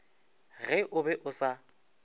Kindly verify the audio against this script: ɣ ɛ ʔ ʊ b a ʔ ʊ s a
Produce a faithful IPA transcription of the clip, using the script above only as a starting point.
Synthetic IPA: ɣ ɛ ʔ ʊ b ɛ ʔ ʊ s a